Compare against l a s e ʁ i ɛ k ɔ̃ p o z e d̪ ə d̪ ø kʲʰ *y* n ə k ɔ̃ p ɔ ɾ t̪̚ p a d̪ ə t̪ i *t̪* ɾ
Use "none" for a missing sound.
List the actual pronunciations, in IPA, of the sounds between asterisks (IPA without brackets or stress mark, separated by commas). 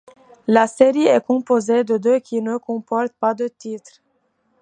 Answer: i, t̪